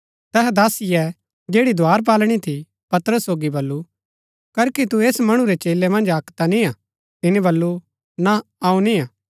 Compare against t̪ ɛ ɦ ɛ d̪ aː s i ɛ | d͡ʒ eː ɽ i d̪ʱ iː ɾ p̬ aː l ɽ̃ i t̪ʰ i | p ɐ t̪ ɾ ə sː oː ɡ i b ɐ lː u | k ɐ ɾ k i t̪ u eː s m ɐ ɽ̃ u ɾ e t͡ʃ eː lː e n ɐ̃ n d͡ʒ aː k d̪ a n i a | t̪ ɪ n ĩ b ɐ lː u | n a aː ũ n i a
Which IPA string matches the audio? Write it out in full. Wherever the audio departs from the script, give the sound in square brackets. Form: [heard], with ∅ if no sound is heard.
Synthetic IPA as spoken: t̪ ɛ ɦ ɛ d̪ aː s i ɛ | d͡ʒ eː ɽ i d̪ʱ [aː] ɾ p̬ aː l ɽ̃ i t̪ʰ i | p ɐ t̪ ɾ ə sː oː ɡ i b ɐ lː u | k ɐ ɾ k i t̪ u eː s m ɐ ɽ̃ u ɾ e t͡ʃ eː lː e [m] ɐ̃ n d͡ʒ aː k [t̪] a n i a | t̪ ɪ n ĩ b ɐ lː u | n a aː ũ n i a